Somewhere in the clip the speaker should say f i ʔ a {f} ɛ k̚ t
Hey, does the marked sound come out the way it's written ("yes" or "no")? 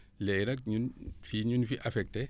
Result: yes